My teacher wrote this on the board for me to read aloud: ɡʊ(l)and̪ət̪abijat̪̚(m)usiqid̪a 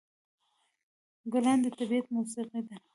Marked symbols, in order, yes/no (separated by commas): yes, yes